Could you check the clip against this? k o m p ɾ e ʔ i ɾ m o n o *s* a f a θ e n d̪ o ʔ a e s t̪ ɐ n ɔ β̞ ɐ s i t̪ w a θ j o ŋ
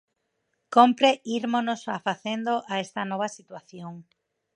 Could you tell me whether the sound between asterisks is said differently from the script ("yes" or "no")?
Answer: no